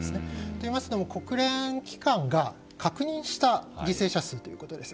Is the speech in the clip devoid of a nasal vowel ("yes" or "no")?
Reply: no